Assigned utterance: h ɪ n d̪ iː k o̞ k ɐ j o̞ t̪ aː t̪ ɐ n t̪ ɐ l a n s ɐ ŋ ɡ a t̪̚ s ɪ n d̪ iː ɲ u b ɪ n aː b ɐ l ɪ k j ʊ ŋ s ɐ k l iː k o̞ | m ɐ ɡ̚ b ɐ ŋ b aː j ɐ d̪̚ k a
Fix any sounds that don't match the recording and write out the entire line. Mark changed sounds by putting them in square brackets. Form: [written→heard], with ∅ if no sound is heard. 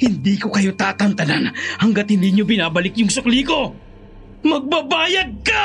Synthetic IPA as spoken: h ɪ n d̪ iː k o̞ k ɐ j o̞ t̪ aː t̪ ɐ n t̪ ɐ l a n [s→h] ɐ ŋ ɡ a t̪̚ [s→h] ɪ n d̪ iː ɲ [u→o] b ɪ n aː b ɐ l ɪ k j ʊ ŋ s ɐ k l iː k o̞ | m ɐ ɡ̚ b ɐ [ŋ→∅] b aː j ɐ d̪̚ k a